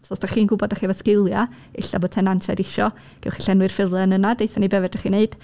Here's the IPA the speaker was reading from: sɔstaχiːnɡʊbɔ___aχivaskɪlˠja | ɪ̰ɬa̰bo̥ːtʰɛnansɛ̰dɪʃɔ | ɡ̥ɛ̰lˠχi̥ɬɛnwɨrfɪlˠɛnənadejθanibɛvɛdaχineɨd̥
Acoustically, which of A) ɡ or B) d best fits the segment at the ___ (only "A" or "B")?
B